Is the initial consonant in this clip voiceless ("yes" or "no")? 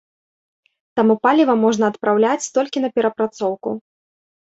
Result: yes